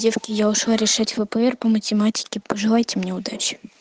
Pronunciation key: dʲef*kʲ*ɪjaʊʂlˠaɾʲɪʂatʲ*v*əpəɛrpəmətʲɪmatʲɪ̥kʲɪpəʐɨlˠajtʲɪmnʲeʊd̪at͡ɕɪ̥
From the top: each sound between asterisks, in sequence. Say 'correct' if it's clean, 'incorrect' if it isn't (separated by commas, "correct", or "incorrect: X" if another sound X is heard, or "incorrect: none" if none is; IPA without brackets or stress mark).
correct, correct